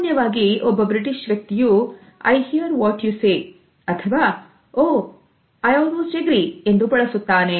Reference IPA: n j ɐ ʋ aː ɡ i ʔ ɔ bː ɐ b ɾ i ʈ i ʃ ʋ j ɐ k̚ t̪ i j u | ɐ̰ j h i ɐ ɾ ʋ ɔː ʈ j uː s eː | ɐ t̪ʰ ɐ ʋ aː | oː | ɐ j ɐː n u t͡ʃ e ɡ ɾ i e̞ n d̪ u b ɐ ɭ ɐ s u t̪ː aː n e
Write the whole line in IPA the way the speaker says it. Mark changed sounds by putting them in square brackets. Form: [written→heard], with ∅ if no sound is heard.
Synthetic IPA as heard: n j ɐ ʋ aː ɡ i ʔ ɔ bː ɐ b ɾ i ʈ i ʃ ʋ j ɐ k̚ t̪ i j u | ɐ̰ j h i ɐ ɾ ʋ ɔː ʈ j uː s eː | ɐ t̪ʰ ɐ ʋ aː | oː | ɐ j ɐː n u t͡ʃ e ɡ ɾ i e̞ n d̪ u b ɐ ɭ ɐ s u t̪ː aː n e